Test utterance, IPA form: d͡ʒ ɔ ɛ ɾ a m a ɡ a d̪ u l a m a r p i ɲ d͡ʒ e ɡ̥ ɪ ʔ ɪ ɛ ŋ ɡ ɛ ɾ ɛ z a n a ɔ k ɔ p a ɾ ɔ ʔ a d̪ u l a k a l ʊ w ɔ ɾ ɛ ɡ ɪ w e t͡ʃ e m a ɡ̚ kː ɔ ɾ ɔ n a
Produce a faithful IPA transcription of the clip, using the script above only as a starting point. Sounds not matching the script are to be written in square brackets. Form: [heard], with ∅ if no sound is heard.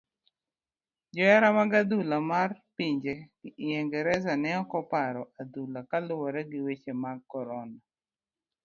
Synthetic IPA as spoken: d͡ʒ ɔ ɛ ɾ a m a ɡ a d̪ u l a m a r p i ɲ d͡ʒ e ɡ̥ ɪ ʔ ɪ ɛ ŋ ɡ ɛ ɾ ɛ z a n [ɛ] ɔ k ɔ p a ɾ ɔ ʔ a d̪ u l a k a l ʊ w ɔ ɾ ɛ ɡ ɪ w e t͡ʃ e m a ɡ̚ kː ɔ ɾ ɔ n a